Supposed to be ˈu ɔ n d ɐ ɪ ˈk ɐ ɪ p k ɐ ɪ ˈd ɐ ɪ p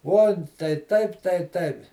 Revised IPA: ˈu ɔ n t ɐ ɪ ˈt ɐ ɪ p t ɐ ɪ ˈt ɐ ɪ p

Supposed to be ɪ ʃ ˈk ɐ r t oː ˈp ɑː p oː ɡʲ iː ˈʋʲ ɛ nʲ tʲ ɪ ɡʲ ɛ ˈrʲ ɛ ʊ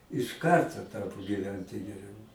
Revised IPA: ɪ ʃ ˈk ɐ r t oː ˈt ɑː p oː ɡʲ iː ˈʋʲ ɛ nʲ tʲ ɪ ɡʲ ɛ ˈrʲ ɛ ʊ

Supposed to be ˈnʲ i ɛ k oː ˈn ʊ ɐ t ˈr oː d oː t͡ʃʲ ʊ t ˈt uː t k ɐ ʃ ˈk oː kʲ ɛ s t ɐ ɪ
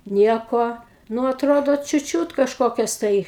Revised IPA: ˈnʲ i ɛ k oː ˈn ʊ ɐ t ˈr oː d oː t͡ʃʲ ʊ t ˈt͡ʃʲ uː t k ɐ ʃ ˈk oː kʲ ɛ s t ɐ ɪ

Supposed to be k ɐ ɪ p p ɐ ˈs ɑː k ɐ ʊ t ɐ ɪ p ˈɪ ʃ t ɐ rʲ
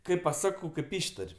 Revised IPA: k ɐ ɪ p p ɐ ˈs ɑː k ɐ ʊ k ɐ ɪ p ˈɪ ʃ t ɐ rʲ

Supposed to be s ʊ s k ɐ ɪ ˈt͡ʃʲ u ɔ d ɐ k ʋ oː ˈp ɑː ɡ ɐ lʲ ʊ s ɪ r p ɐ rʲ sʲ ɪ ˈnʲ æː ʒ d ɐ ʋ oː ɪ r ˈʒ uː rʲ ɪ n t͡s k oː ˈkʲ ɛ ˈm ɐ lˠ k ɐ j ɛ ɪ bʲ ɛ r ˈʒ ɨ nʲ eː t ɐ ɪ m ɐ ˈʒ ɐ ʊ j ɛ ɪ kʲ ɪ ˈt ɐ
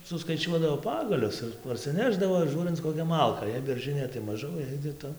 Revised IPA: s ʊ s k ɐ ɪ ˈt͡ʃʲ u ɔ d ɐ ʋ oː ˈp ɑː ɡ ɐ lʲ ʊ s ɪ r p ɐ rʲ sʲ ɪ ˈnʲ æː ʒ d ɐ ʋ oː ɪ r ˈʒ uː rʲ ɪ n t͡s k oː ˈkʲ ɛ ˈm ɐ lˠ k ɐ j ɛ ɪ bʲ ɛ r ˈʒ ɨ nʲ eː t ɐ ɪ m ɐ ˈʒ ɐ ʊ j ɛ ɪ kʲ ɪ ˈt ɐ

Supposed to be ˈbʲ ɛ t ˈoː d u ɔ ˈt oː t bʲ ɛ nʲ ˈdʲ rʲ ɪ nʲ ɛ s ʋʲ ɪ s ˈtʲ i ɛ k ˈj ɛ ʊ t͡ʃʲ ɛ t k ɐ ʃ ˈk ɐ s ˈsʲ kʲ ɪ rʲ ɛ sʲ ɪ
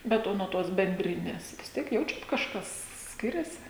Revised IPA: ˈbʲ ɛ t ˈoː n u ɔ ˈt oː s bʲ ɛ nʲ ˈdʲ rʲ ɪ nʲ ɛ s ʋʲ ɪ s ˈtʲ i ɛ k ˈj ɛ ʊ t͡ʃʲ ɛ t k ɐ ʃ ˈk ɐ s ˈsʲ kʲ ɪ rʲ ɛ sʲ ɪ

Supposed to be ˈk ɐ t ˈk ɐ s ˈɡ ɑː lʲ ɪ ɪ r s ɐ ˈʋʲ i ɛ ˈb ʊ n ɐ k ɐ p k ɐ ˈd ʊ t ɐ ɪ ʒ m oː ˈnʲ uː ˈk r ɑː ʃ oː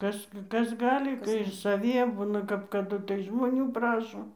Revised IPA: ˈk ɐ s ˈk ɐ s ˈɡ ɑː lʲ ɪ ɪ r s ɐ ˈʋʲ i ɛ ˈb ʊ n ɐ k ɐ p k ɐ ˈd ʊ t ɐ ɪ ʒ m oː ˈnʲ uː ˈp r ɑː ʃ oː

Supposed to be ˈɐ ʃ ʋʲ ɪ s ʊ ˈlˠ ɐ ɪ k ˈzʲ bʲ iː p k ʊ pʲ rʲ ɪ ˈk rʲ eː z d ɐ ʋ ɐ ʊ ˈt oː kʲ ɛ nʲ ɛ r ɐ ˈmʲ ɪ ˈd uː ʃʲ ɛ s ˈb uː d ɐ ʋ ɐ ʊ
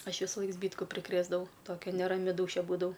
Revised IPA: ˈɐ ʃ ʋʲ ɪ s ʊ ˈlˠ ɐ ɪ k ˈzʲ bʲ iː t k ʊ pʲ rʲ ɪ ˈk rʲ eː z d ɐ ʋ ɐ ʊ ˈt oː kʲ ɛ nʲ ɛ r ɐ ˈmʲ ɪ ˈd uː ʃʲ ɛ ˈb uː d ɐ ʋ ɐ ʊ

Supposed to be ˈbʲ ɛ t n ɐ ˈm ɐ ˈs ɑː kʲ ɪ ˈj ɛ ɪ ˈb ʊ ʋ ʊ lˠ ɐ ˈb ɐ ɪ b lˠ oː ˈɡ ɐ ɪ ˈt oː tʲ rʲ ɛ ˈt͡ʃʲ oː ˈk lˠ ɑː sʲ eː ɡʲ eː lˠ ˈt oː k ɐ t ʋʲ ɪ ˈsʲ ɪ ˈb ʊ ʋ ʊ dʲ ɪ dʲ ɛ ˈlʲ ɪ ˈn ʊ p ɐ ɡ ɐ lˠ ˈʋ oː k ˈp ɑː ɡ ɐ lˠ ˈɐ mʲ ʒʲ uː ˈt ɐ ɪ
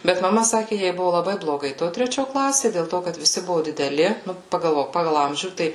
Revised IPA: ˈbʲ ɛ t m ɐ ˈm ɐ ˈs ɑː kʲ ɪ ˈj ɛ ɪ ˈb ʊ ʋ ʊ lˠ ɐ ˈb ɐ ɪ b lˠ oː ˈɡ ɐ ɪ ˈt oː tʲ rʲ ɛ ˈt͡ʃʲ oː ˈk lˠ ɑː sʲ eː dʲ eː lˠ ˈt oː k ɐ t ʋʲ ɪ ˈsʲ ɪ ˈb ʊ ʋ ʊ dʲ ɪ dʲ ɛ ˈlʲ ɪ ˈn ʊ p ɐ ɡ ɐ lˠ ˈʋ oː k ˈp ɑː ɡ ɐ lˠ ˈɐ mʲ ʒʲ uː ˈt ɐ ɪ

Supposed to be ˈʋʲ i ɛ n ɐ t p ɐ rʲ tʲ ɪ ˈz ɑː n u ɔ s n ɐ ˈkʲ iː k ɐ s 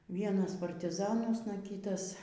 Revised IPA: ˈʋʲ i ɛ n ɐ s p ɐ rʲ tʲ ɪ ˈz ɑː n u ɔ s n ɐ ˈkʲ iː t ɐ s

